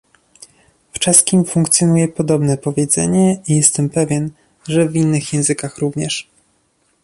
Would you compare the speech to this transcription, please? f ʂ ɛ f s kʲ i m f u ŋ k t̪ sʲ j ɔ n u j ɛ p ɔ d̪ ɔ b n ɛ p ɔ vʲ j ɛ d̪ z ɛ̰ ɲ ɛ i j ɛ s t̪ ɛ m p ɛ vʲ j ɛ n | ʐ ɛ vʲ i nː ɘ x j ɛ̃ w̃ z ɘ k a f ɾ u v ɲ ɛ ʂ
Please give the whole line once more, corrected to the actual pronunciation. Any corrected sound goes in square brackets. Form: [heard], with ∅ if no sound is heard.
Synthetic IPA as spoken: f [t͡ʂ] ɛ [∅] s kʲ i m f u ŋ k t̪ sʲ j ɔ n u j ɛ p ɔ d̪ ɔ b n ɛ p ɔ vʲ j ɛ d̪ z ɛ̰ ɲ ɛ i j ɛ s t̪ ɛ m p ɛ vʲ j ɛ n | ʐ ɛ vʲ i nː ɘ x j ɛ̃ w̃ z ɘ k a [x] ɾ u v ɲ ɛ ʂ